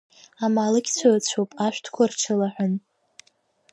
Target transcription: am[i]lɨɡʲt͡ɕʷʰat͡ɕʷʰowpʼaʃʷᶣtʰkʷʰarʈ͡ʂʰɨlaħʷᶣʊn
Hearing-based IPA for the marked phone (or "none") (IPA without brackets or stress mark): a